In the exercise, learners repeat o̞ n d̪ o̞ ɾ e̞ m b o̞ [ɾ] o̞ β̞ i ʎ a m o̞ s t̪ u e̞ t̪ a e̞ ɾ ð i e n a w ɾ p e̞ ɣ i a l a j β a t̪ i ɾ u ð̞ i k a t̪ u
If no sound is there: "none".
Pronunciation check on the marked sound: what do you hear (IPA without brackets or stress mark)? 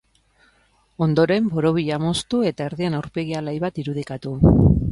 ɾ